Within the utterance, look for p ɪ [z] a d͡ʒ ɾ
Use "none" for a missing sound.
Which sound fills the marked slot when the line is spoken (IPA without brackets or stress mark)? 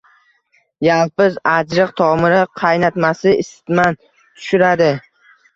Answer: z